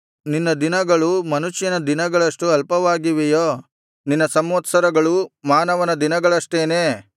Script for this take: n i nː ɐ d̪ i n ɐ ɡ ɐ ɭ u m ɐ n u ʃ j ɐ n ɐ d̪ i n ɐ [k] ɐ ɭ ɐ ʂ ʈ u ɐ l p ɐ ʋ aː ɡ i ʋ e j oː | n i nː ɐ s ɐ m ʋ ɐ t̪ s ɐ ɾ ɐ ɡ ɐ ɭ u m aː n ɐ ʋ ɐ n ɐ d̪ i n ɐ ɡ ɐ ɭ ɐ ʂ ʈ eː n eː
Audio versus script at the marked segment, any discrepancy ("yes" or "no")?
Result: yes